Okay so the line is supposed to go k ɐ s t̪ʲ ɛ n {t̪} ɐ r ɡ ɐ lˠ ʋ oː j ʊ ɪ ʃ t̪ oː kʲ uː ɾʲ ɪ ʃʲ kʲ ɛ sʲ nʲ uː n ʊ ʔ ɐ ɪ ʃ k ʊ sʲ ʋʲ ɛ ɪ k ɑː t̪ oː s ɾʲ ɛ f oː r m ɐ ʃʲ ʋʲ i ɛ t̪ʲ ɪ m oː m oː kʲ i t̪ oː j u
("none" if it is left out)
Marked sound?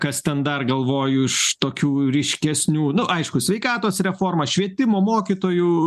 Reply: d̪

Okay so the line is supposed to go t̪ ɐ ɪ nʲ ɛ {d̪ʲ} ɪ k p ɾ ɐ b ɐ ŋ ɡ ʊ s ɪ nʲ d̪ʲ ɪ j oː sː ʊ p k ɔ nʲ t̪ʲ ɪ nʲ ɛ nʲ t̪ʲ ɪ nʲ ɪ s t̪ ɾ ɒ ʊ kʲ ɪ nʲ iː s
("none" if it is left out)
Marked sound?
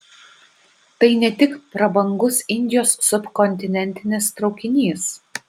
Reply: t̪ʲ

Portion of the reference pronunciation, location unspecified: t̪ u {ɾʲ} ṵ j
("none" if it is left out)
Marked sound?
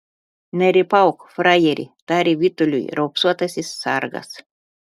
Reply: lʲ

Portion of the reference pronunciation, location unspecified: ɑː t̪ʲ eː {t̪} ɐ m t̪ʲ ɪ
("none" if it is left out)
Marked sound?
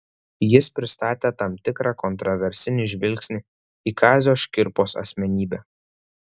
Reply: t̪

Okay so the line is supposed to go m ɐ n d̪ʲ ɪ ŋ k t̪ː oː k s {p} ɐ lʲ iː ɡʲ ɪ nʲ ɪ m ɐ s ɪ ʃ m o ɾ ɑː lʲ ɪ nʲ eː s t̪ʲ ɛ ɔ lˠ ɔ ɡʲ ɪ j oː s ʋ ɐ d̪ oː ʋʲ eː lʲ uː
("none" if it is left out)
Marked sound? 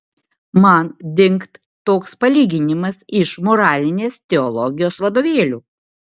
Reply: p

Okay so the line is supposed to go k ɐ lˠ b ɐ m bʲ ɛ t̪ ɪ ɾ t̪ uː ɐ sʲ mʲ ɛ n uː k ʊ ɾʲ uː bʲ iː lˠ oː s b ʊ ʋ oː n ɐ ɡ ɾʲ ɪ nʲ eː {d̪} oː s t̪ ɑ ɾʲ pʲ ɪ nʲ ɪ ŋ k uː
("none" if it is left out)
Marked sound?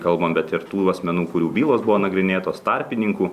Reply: t̪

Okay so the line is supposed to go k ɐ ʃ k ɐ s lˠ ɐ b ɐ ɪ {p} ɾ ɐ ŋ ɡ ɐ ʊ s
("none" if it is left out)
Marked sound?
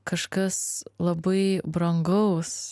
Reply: b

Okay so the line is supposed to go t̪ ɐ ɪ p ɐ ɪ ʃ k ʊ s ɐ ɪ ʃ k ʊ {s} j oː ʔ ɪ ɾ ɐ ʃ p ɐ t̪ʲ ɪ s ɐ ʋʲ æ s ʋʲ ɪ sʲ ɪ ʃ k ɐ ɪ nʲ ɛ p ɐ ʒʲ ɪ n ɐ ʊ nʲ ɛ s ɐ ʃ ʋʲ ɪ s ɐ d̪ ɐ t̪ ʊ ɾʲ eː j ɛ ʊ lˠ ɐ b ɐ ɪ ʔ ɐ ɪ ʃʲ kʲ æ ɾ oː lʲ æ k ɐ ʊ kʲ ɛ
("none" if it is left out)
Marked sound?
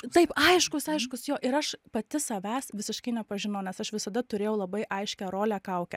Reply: s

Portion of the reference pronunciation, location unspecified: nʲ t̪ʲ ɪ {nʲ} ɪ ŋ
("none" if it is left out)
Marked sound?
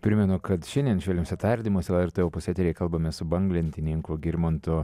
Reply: nʲ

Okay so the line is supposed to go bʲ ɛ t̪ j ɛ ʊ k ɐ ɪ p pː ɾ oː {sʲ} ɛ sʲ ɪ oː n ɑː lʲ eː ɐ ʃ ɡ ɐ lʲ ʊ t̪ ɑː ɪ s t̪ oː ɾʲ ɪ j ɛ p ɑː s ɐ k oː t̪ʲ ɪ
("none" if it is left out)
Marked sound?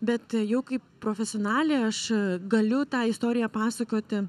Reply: fʲ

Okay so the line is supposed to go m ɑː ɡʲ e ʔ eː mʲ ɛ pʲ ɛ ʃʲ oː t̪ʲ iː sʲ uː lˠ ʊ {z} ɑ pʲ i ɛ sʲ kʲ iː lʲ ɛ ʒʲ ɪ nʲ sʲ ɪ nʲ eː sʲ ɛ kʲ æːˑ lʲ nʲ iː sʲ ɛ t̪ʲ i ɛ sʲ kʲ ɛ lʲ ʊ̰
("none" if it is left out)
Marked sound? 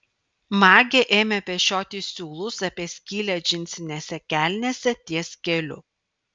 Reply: s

